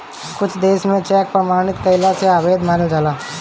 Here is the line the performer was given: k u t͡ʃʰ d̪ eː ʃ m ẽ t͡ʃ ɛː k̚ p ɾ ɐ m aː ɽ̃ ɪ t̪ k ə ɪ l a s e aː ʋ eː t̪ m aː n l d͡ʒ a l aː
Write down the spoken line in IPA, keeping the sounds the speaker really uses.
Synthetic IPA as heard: k ʊ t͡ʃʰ d̪ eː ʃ m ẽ t͡ʃ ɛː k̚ p ɾ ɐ m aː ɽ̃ ɪ t̪ k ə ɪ l a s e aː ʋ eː d̪ m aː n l d͡ʒ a l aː